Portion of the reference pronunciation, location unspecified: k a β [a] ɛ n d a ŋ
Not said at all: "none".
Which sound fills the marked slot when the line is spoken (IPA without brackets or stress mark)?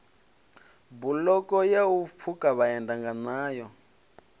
a